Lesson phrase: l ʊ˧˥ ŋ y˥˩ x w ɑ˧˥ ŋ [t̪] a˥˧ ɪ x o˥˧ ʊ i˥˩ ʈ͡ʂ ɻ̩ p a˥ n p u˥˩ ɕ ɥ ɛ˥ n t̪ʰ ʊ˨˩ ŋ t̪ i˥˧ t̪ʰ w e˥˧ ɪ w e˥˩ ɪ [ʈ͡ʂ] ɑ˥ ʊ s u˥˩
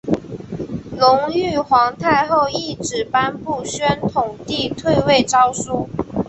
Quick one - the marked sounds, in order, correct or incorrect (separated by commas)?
incorrect, correct